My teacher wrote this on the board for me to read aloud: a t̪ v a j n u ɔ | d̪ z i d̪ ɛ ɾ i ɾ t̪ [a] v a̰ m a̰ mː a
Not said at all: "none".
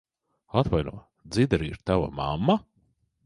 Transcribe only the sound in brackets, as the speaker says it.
a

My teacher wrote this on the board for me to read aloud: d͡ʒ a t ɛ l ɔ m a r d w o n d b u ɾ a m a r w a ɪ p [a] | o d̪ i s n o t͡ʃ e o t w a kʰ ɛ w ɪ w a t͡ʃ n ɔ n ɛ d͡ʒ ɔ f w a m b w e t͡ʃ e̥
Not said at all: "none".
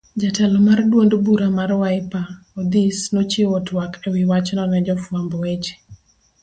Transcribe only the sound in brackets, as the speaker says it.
a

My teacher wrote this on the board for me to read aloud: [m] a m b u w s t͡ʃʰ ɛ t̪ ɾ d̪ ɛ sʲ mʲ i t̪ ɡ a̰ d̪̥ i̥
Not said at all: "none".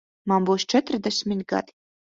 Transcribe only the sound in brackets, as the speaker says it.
m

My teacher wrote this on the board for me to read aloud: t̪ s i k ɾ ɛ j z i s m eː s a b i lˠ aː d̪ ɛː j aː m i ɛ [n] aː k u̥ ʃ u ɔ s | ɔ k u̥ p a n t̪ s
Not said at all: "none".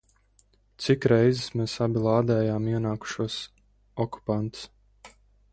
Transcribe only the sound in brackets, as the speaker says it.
n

